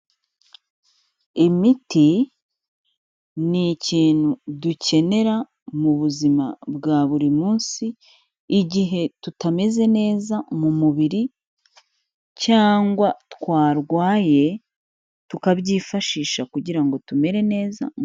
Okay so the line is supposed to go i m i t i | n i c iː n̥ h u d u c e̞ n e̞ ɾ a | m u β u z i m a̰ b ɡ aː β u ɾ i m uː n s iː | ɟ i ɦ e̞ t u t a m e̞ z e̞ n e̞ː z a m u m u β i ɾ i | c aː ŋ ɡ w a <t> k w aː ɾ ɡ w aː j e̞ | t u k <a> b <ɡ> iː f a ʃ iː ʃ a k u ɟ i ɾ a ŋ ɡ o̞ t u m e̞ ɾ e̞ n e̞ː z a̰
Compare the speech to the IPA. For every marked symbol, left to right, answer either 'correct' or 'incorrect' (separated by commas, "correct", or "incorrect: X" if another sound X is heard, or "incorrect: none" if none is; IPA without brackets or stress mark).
correct, correct, incorrect: ɟ